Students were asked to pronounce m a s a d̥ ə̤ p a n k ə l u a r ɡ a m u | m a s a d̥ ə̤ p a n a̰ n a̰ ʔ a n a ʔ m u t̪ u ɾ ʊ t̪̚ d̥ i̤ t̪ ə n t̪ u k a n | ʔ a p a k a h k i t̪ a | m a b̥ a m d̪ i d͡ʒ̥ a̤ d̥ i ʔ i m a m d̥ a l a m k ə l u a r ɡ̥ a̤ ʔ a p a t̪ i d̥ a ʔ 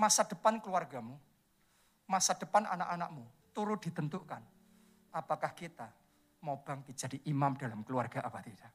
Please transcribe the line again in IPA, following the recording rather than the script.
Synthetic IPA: m a s a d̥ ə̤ p a n k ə l u a r ɡ a m u | m a s a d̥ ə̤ p a n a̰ n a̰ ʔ a n a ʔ m u t̪ u ɾ ʊ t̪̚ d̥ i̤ t̪ ə n t̪ u k a n | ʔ a p a k a h k i t̪ a | m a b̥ a ŋ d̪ i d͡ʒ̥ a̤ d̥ i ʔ i m a m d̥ a l a m k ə l u a r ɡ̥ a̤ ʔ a p a t̪ i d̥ a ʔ